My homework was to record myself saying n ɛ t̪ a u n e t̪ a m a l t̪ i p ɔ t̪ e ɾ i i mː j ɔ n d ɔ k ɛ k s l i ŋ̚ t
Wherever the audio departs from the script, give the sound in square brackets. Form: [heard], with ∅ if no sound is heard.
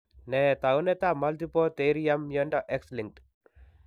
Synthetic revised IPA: n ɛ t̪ a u n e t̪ a m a l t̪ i p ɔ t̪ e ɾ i [a] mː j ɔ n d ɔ [ʔ] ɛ k s l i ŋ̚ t